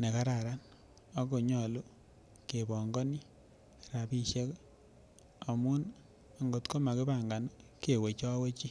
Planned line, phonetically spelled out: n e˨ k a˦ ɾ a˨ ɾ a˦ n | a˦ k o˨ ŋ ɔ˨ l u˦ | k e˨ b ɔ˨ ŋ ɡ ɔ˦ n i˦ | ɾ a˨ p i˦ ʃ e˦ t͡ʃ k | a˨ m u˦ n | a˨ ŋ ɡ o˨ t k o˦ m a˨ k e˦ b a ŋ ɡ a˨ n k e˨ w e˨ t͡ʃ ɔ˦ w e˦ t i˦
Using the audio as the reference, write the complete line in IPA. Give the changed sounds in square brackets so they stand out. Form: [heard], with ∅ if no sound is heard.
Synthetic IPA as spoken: n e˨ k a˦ ɾ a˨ ɾ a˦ n | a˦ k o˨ [ɲ] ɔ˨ l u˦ | k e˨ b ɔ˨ ŋ ɡ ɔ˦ n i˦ | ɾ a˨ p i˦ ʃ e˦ [∅] k | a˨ m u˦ n | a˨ ŋ ɡ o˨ t k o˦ m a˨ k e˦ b a ŋ ɡ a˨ n k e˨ w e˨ t͡ʃ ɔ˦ w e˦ [t͡ʃ] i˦